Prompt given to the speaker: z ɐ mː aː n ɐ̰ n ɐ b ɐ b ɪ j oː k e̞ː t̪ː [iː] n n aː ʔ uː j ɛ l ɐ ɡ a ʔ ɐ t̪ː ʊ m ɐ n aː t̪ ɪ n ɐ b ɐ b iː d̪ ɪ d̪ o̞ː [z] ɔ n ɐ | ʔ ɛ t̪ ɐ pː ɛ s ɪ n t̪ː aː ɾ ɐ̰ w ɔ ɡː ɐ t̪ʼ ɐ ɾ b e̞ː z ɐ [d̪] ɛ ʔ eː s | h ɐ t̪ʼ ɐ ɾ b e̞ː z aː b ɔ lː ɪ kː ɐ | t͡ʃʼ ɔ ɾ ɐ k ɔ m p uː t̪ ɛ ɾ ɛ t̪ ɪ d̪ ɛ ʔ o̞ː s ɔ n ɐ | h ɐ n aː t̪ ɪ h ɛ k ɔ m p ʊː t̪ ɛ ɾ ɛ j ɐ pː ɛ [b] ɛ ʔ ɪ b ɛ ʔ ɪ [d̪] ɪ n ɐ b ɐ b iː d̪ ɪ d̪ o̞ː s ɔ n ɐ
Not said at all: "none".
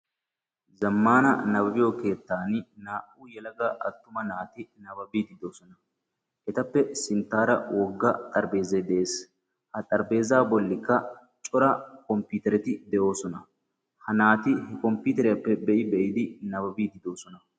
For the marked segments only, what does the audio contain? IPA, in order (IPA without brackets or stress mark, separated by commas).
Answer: aː, s, d̪, b, d̪